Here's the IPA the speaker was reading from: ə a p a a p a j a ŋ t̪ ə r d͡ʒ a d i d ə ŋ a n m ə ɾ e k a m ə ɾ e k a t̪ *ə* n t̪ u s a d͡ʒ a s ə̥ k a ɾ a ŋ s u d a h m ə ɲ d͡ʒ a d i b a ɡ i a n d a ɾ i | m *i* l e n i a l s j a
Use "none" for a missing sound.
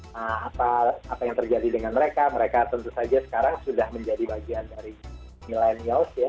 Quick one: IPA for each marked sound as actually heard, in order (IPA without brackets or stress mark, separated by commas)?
ə, i